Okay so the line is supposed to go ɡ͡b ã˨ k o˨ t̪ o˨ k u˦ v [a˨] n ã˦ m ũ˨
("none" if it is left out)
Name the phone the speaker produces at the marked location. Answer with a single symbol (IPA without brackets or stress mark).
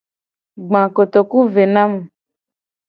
e˨